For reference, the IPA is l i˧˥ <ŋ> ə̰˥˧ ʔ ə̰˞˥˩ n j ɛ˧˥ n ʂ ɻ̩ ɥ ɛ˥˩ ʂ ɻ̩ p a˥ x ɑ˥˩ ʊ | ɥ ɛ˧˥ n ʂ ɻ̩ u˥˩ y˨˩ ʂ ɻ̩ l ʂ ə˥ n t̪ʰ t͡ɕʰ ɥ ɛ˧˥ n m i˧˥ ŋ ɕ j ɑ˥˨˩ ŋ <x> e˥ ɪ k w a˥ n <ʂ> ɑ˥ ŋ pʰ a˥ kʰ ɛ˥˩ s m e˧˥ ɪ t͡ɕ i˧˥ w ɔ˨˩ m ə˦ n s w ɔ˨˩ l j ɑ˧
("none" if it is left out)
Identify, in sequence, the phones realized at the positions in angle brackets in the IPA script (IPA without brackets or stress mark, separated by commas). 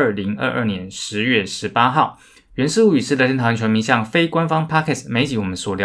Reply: ŋ, f, f